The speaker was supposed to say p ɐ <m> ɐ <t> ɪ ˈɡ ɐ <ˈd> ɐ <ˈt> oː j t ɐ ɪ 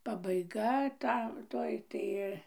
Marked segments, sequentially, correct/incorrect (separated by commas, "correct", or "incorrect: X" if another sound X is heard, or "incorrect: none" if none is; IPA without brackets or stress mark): incorrect: b, incorrect: none, incorrect: t, correct